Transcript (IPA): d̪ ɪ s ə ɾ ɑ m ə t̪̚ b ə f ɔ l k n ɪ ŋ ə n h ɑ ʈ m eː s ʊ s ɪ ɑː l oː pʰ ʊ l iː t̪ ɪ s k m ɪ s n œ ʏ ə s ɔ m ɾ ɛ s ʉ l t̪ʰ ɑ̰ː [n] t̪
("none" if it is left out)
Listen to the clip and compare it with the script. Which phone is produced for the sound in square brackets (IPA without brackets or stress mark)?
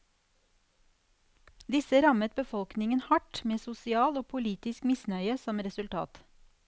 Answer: none